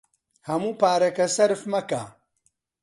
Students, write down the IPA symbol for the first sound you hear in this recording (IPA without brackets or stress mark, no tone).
h